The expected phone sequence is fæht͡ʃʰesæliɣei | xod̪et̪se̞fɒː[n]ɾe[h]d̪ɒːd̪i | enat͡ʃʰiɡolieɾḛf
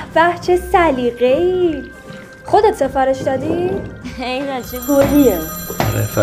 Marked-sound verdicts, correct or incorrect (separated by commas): incorrect, incorrect